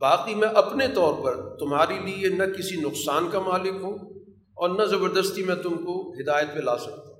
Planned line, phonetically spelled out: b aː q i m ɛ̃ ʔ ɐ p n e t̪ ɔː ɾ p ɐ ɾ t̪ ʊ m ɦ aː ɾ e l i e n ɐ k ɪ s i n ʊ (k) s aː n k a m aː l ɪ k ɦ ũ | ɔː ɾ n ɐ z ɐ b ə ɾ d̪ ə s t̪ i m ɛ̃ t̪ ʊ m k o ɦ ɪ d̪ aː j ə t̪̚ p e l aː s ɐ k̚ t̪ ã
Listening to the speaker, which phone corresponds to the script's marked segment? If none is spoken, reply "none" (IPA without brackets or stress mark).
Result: q